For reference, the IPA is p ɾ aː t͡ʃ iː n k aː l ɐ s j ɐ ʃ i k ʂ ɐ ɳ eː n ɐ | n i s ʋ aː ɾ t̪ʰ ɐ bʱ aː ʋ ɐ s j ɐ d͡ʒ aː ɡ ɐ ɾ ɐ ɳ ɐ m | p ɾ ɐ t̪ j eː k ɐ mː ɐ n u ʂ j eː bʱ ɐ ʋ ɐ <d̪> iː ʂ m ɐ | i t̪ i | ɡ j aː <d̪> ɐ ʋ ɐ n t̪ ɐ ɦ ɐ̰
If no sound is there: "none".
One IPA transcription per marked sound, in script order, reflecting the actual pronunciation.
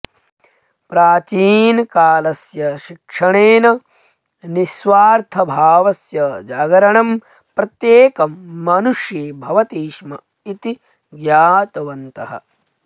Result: t̪, t̪

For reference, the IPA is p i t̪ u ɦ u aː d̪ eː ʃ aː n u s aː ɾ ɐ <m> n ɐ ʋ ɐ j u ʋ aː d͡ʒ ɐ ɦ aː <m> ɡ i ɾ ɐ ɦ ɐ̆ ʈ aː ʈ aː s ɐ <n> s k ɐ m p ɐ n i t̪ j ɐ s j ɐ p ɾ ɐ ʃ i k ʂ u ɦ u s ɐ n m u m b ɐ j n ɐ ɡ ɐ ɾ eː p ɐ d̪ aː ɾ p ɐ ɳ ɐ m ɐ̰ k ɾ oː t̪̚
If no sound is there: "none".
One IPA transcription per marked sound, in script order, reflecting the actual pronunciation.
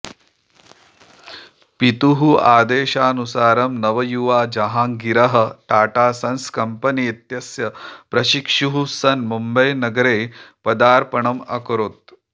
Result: m, ŋ, n

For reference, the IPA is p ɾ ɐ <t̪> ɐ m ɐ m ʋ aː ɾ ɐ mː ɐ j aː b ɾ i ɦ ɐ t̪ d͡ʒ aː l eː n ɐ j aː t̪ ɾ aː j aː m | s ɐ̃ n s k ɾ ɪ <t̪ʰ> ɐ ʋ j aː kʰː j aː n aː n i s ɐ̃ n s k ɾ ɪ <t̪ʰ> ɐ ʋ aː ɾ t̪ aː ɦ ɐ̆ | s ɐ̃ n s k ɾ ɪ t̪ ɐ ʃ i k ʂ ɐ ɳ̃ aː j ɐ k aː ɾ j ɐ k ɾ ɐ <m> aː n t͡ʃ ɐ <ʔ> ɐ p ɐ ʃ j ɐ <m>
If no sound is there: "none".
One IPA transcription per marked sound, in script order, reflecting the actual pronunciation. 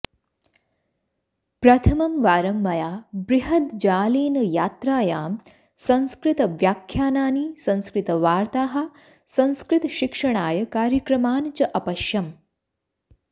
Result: t̪ʰ, t̪, t̪, m, ʔ, m

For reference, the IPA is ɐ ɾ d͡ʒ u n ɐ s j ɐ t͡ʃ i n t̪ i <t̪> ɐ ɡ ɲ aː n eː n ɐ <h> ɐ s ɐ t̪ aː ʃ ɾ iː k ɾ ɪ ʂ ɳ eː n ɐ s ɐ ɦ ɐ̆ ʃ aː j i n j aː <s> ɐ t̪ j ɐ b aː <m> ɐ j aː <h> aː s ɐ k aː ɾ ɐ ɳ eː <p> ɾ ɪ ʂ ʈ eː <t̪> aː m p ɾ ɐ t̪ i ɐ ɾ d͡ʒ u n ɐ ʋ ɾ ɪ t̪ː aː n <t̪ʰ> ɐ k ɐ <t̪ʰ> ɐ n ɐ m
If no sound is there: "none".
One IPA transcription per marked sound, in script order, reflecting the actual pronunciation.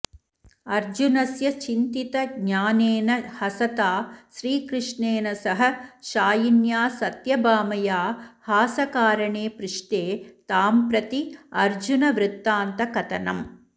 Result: t̪, h, s, m, h, p, t̪, t̪, t̪

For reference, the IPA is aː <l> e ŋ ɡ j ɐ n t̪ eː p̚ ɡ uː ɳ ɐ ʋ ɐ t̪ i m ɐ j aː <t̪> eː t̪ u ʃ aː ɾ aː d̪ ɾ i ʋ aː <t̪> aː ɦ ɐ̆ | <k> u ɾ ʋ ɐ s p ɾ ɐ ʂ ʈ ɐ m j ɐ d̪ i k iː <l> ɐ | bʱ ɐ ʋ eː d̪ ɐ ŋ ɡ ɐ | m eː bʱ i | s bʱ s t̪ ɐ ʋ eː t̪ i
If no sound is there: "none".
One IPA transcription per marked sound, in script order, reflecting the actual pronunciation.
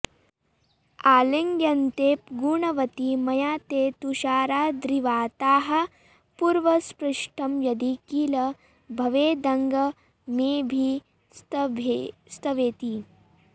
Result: l, t̪, t̪, p, l

